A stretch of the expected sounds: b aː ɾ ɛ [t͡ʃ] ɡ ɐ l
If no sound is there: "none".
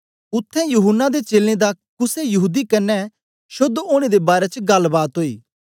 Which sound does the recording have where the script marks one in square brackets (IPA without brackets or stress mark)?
t͡ʃ